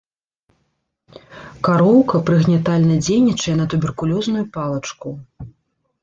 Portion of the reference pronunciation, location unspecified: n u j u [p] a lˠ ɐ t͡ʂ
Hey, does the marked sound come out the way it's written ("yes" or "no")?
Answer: yes